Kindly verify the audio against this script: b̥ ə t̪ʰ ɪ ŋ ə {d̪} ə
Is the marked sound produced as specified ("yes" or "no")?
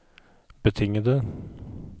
yes